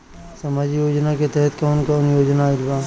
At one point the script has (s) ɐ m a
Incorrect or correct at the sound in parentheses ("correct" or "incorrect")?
correct